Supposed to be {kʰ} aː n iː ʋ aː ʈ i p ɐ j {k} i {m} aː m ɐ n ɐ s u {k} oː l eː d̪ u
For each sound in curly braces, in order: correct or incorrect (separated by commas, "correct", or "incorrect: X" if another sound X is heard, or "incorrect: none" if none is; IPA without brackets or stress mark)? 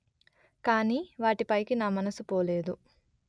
incorrect: k, correct, incorrect: n, incorrect: p